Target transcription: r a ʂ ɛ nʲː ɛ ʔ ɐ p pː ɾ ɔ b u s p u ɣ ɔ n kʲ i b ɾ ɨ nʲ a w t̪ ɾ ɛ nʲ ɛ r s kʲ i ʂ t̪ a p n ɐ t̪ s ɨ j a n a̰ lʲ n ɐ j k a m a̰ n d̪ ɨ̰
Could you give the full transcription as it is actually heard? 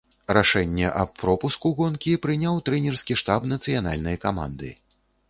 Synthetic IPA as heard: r a ʂ ɛ nʲː ɛ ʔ ɐ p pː ɾ ɔ p u s k u ɣ ɔ n kʲ i p ɾ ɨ nʲ a w t̪ ɾ ɛ nʲ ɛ r s kʲ i ʂ t̪ a p n ɐ t̪ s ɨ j a n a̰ lʲ n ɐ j k a m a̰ n d̪ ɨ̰